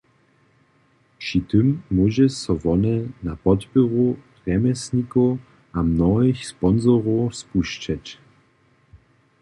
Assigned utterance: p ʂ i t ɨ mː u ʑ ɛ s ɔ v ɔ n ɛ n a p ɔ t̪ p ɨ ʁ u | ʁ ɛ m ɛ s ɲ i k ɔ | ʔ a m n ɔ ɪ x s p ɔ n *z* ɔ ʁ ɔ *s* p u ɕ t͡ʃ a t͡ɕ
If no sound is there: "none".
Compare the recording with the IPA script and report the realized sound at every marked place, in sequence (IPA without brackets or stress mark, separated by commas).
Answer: z, s